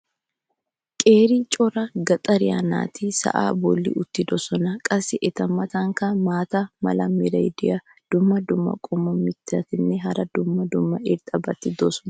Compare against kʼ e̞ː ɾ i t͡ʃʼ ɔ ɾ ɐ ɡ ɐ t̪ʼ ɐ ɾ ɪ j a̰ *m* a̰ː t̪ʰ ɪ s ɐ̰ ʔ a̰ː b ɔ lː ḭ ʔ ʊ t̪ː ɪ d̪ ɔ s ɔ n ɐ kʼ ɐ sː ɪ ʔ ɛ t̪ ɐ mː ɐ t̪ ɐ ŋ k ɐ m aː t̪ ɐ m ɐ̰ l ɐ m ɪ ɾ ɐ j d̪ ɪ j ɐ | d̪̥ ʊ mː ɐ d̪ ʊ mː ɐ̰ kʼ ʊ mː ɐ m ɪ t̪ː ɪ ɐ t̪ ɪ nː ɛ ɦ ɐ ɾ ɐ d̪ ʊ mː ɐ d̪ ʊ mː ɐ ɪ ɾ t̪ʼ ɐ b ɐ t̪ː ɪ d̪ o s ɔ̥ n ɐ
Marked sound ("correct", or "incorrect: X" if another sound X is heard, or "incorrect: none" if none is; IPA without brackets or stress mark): incorrect: n